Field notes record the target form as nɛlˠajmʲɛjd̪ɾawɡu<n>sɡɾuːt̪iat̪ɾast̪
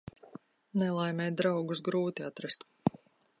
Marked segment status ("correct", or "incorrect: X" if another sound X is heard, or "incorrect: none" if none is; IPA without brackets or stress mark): incorrect: none